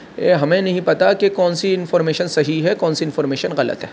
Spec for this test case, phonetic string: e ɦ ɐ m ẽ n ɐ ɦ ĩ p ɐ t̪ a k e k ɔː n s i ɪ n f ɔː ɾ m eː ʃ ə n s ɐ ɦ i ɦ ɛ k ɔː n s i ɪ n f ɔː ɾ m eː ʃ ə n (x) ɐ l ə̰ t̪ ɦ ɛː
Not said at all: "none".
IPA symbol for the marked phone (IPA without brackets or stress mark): ɣ